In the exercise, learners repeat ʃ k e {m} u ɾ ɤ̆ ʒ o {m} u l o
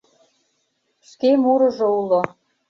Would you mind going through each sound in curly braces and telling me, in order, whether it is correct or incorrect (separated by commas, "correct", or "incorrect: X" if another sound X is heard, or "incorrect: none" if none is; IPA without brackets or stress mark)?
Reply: correct, incorrect: none